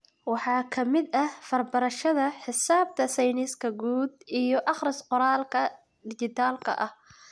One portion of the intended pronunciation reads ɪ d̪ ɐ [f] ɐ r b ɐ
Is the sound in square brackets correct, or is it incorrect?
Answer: correct